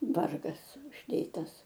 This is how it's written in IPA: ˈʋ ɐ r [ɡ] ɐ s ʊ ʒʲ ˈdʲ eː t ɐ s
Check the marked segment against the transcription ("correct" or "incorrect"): correct